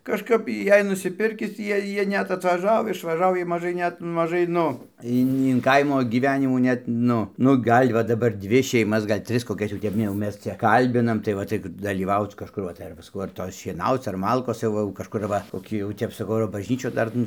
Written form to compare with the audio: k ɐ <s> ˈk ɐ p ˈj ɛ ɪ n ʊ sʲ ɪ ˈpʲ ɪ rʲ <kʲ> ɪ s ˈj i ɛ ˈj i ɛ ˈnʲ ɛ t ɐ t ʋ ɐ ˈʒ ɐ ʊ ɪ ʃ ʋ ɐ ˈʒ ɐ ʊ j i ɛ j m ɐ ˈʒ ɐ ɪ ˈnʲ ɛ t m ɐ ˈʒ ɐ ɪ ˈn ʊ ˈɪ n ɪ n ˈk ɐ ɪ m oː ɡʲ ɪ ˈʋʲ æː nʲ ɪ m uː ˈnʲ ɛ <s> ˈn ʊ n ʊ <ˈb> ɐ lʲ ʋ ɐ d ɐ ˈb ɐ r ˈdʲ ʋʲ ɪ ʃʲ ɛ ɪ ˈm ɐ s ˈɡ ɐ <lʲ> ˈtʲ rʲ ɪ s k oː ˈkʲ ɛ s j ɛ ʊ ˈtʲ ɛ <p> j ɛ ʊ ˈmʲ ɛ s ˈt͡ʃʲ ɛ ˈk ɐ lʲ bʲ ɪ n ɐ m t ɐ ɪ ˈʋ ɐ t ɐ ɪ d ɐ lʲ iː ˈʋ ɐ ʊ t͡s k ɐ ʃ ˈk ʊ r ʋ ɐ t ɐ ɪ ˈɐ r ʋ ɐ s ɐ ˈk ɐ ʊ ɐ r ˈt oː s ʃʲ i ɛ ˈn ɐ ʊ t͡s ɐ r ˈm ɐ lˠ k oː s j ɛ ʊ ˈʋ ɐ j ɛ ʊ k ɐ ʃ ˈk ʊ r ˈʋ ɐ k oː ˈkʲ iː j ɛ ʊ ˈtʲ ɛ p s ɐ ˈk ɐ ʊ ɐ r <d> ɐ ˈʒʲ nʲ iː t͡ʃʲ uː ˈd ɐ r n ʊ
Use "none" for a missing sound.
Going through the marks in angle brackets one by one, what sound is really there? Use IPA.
ʃ, kʲ, t, ɡ, lʲ, p, b

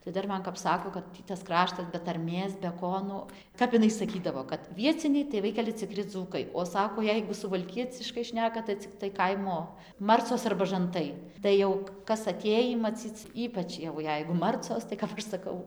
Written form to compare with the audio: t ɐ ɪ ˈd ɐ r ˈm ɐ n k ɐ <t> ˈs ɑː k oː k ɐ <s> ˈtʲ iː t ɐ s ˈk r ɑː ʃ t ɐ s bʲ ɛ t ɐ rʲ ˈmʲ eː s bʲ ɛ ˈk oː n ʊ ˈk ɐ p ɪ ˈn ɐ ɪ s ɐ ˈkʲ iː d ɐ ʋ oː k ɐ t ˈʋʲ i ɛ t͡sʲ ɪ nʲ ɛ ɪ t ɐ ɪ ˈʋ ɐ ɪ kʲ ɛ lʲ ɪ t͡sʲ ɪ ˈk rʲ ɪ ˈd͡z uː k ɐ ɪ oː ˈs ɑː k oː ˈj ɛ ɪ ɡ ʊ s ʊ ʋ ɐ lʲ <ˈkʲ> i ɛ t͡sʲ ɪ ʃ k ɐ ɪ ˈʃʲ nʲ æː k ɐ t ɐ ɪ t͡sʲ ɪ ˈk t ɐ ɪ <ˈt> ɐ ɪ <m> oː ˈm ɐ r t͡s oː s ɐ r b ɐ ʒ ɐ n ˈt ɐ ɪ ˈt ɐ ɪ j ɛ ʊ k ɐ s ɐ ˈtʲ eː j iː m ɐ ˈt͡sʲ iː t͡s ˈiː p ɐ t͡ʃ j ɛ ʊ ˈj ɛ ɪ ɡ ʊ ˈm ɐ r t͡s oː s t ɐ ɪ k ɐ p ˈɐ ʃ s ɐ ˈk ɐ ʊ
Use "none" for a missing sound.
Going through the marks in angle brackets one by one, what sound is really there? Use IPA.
p, t, kʲ, k, m

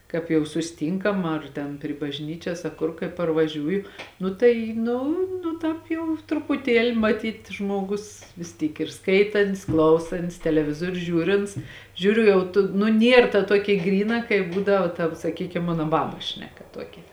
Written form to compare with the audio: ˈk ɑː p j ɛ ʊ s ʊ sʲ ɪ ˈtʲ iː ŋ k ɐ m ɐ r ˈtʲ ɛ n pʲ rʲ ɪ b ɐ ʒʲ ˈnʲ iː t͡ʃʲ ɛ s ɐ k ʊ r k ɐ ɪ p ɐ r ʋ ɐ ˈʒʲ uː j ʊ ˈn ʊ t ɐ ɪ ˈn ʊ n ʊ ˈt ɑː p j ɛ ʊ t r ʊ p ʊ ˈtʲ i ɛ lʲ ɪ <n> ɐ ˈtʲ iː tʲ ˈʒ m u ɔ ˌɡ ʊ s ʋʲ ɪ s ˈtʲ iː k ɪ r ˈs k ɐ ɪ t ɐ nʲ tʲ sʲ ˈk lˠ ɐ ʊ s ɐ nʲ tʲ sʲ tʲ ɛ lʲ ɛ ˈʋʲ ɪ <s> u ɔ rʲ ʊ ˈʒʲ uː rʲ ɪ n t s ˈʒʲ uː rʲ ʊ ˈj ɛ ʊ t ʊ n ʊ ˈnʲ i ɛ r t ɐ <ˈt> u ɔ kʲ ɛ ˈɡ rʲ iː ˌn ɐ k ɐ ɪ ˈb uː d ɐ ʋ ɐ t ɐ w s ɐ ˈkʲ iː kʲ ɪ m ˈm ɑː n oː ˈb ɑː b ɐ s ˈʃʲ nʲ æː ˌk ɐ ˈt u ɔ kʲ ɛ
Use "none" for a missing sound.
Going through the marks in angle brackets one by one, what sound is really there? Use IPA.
m, z, t

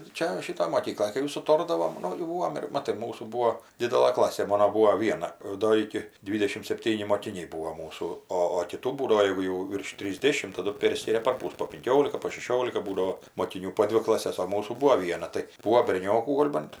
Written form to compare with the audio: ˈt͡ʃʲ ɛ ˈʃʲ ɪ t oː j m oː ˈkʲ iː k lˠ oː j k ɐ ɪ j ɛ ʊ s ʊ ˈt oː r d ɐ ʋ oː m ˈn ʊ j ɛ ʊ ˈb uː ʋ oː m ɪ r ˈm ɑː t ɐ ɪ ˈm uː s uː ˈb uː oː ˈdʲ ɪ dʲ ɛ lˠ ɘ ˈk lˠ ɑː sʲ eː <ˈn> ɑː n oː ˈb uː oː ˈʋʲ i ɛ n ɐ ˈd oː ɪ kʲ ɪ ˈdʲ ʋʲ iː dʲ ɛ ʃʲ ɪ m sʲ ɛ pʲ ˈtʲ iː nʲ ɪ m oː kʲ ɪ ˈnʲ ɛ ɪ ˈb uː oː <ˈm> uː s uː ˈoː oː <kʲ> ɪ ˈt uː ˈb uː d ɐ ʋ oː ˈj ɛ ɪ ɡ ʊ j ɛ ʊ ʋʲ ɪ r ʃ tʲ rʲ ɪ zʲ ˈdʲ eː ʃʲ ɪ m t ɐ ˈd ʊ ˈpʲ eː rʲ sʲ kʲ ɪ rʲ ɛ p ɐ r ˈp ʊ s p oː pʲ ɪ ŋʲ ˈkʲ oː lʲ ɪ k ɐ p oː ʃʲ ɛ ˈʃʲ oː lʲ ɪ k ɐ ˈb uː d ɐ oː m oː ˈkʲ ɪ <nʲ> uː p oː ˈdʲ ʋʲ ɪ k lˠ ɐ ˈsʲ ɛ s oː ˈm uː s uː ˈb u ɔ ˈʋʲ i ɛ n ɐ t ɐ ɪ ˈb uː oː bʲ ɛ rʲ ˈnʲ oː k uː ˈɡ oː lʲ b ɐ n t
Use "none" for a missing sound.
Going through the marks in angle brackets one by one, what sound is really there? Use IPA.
m, m, kʲ, nʲ

